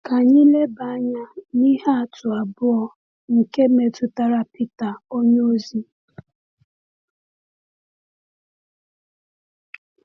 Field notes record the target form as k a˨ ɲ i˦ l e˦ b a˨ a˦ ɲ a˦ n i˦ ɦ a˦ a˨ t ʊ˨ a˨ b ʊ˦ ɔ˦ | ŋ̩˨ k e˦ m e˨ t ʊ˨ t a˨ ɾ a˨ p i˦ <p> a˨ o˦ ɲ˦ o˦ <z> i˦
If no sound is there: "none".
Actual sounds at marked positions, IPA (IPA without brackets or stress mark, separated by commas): t, z